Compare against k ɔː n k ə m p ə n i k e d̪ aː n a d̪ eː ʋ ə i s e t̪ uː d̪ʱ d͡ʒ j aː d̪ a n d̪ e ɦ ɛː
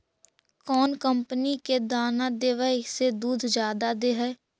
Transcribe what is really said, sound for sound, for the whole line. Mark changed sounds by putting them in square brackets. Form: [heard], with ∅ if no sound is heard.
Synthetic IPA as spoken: k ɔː n k ə m p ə n i k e d̪ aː n a d̪ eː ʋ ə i s e [d̪] uː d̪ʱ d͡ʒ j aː d̪ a [∅] d̪ e ɦ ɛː